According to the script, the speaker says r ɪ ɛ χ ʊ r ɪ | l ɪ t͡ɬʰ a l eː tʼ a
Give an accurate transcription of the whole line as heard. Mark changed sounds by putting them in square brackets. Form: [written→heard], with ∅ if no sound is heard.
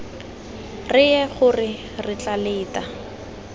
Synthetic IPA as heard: r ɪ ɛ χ ʊ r ɪ | [l→r] ɪ [t͡ɬʰ→t͡ɬ] a l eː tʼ a